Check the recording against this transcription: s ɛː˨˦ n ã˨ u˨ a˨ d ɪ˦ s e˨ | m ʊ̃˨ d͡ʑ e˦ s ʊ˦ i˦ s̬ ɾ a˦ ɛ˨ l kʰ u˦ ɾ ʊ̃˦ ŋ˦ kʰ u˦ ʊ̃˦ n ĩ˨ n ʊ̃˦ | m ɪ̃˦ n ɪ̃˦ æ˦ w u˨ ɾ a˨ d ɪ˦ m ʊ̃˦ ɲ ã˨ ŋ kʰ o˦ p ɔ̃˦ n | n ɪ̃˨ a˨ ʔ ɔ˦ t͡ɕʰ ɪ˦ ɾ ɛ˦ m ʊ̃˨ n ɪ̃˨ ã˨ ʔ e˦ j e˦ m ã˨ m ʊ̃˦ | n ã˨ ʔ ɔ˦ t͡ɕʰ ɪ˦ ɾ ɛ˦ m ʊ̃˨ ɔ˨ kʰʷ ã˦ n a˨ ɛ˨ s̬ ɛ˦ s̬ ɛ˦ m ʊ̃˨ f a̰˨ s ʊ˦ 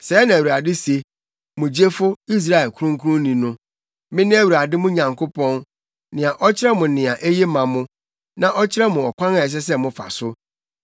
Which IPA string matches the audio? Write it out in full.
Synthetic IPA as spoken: s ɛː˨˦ n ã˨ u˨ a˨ d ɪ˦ s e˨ | m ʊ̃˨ d͡ʑ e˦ f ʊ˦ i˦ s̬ ɾ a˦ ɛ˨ l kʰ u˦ ɾ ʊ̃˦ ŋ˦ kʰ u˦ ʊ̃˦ n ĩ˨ n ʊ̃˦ | m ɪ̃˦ n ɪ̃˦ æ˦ w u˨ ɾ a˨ d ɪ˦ m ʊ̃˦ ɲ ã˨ ŋ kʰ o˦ p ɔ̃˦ n | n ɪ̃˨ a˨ ʔ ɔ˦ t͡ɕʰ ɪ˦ ɾ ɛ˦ m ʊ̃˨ n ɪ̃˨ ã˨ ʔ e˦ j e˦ m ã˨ m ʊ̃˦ | n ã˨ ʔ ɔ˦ t͡ɕʰ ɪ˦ ɾ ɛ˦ m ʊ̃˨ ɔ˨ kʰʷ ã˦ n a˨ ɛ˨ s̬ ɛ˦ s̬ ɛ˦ m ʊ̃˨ f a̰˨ s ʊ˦

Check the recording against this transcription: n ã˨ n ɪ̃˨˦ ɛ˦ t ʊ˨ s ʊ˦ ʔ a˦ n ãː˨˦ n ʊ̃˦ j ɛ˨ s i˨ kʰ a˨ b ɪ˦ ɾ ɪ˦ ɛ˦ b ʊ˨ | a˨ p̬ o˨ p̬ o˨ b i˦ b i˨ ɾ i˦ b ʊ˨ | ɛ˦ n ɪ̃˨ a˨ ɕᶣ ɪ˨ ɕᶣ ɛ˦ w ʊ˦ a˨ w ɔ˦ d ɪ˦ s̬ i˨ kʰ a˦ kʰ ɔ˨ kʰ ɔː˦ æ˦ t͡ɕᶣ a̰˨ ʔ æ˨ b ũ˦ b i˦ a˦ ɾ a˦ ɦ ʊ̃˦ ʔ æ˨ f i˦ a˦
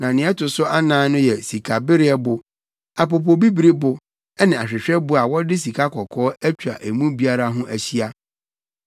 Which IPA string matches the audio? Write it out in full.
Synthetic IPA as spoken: n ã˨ n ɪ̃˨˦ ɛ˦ t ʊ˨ s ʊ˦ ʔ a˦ n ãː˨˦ n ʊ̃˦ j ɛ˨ s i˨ kʰ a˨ b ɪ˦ ɾ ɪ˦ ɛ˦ b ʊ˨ | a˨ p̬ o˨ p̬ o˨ b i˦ b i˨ ɾ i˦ b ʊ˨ | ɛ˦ n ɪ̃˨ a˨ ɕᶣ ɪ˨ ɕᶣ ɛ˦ b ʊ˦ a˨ w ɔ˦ d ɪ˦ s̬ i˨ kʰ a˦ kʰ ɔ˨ kʰ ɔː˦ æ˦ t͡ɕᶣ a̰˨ ʔ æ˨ m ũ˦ b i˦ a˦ ɾ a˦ ɦ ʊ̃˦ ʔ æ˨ ɕ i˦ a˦

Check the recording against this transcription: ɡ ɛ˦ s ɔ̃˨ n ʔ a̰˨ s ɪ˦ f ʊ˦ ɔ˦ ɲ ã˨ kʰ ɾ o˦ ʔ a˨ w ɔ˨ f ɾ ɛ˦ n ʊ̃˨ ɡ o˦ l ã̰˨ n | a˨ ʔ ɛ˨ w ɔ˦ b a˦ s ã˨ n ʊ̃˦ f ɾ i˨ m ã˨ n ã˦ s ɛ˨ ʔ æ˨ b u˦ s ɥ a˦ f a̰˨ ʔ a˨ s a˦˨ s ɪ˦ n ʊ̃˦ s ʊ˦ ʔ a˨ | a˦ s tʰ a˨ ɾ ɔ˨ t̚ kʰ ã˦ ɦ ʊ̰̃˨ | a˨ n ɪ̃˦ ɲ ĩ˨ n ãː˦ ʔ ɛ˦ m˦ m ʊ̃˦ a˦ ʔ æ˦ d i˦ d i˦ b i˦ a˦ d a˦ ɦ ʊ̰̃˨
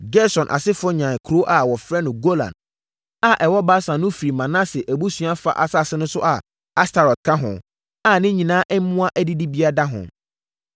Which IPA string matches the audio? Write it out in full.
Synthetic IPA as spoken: ɡ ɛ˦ s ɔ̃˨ n ʔ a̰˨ s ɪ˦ f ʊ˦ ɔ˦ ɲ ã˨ kʰ ɾ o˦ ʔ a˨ w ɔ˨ f ɾ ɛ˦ n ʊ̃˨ ɡ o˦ l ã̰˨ n | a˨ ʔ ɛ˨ w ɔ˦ b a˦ s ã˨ n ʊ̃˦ f ɾ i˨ m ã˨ n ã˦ s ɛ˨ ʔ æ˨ b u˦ s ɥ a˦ f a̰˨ ʔ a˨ s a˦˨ s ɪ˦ n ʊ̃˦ s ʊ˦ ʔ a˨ | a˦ s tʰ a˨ ɾ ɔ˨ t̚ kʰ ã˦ ɦ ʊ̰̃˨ | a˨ n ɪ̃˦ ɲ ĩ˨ n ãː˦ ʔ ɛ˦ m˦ m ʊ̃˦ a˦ ʔ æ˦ d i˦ d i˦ b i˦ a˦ d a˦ ɦ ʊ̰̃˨

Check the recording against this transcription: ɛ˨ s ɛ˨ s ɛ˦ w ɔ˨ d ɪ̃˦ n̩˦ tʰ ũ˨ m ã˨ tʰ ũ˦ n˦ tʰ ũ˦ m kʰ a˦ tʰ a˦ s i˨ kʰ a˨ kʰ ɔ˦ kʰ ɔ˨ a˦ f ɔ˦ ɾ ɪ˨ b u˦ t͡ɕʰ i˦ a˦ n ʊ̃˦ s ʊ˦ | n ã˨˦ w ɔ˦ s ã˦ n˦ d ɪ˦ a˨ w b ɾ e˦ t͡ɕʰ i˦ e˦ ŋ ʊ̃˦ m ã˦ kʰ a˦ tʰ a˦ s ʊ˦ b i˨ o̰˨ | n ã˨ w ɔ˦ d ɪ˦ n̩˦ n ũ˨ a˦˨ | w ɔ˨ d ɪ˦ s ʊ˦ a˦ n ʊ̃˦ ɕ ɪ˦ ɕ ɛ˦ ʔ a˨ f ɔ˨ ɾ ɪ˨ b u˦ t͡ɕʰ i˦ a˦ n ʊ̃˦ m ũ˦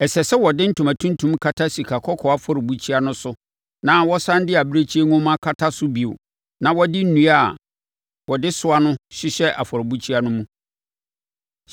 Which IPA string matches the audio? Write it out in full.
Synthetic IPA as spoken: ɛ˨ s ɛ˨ s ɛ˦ w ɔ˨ d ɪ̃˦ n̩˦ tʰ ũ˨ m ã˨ tʰ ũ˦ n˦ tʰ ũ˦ m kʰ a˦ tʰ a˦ s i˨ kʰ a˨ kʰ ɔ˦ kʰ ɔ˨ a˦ f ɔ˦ ɾ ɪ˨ b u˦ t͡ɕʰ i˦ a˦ n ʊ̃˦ s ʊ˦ | n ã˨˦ w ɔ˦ s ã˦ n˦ d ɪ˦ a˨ b ɾ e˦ t͡ɕʰ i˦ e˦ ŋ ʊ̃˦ m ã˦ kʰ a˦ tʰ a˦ s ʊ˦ b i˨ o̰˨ | n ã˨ w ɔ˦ d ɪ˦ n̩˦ n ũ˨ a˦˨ | w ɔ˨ d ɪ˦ s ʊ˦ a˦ n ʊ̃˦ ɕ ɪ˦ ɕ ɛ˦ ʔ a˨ f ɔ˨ ɾ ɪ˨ b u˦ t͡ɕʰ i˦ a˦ n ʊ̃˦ m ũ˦

